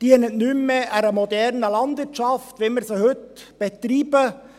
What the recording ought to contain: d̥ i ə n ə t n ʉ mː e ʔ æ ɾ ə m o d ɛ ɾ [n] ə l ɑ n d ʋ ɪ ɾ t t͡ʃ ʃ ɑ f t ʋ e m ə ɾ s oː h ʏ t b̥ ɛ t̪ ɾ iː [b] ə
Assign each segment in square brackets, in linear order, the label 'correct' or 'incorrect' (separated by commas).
correct, correct